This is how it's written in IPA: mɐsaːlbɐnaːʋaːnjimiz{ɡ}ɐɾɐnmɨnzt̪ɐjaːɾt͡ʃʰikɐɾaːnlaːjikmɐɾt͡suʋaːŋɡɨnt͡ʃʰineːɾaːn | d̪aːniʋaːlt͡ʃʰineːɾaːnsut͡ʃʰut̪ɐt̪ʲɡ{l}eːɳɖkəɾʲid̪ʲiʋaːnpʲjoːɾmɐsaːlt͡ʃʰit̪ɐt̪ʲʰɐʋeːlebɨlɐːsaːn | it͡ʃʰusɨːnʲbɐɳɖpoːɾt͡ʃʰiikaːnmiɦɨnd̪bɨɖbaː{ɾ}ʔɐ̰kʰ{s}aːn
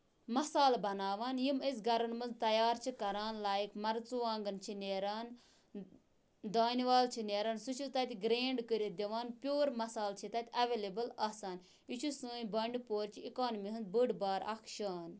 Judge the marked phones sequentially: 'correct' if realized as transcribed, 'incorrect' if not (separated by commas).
correct, incorrect, correct, incorrect